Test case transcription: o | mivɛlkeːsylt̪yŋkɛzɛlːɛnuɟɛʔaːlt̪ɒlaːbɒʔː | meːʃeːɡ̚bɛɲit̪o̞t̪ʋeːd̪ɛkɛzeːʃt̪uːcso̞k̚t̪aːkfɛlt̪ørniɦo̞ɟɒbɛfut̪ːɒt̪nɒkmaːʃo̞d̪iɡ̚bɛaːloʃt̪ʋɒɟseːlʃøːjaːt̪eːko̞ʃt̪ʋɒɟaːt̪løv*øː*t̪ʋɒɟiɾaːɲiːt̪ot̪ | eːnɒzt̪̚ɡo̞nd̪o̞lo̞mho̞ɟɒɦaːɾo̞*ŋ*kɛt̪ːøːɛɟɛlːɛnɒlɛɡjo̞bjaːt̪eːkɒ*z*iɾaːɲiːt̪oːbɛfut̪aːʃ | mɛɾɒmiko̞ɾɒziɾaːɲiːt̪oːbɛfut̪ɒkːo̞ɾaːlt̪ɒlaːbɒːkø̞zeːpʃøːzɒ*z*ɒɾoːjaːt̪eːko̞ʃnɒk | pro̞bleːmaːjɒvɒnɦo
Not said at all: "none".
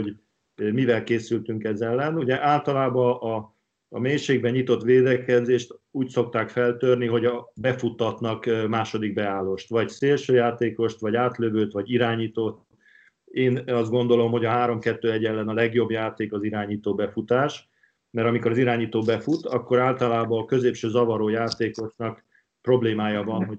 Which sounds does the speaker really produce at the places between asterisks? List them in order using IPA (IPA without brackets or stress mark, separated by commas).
øː, m, z, v